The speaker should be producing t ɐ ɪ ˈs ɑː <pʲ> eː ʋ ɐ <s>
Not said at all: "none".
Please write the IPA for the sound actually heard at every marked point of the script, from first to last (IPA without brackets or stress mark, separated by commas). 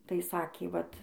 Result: kʲ, t